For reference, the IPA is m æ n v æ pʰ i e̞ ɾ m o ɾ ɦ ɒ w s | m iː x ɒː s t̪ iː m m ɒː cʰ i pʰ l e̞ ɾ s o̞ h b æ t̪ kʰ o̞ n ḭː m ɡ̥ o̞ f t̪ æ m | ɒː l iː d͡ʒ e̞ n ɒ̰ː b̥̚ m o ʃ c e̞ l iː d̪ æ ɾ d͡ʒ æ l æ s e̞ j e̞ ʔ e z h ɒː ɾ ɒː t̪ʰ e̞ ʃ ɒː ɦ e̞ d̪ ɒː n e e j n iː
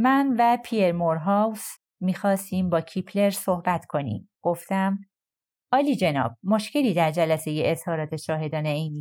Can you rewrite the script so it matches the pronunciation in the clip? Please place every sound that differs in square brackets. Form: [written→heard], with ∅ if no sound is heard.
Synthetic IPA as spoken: m æ n v æ pʰ i e̞ ɾ m o ɾ ɦ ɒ w s | m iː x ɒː s t̪ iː m [m→b] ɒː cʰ i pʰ l e̞ ɾ s o̞ h b æ t̪ kʰ o̞ n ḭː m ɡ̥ o̞ f t̪ æ m | ɒː l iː d͡ʒ e̞ n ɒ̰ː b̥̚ m o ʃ c e̞ l iː d̪ æ ɾ d͡ʒ æ l æ s e̞ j e̞ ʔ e z h ɒː ɾ ɒː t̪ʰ e̞ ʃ ɒː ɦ e̞ d̪ ɒː n e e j n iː